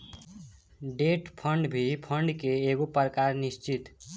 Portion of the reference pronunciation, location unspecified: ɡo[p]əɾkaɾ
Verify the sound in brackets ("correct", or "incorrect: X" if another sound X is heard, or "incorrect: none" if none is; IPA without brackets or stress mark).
correct